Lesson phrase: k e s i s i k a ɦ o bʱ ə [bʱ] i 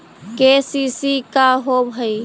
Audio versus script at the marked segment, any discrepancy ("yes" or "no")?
yes